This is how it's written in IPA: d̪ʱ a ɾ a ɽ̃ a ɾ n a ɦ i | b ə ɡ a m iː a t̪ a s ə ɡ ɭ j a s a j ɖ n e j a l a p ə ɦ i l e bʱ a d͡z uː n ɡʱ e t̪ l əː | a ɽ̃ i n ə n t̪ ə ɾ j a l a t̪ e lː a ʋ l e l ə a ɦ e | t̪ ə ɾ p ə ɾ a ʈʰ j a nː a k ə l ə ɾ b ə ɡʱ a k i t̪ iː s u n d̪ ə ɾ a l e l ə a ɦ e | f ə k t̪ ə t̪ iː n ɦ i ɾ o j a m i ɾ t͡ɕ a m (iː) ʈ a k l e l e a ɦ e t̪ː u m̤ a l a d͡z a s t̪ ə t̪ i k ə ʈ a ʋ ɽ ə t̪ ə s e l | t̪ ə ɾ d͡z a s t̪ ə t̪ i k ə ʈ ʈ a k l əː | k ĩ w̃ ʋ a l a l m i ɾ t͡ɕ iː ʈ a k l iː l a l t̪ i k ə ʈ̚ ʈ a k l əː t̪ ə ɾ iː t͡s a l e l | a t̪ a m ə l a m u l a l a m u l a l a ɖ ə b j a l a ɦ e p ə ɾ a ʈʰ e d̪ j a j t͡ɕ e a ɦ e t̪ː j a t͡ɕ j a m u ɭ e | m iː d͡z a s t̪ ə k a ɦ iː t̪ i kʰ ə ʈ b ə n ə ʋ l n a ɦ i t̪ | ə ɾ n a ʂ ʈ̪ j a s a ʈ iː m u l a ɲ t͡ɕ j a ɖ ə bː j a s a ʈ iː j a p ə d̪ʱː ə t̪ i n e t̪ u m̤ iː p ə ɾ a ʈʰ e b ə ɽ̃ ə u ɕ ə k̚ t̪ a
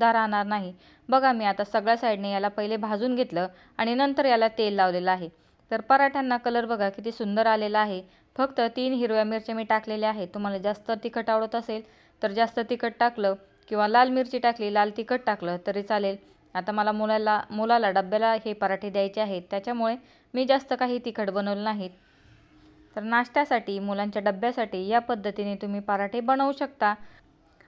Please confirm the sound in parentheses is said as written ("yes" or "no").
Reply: yes